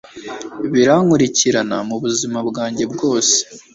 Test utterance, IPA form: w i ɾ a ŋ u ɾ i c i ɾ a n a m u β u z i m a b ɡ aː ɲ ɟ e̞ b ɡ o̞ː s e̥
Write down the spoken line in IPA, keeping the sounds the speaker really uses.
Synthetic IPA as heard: β i ɾ a ŋ u ɾ i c i ɾ a n a m u β u z i m a b ɡ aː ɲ ɟ e̞ b ɡ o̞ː s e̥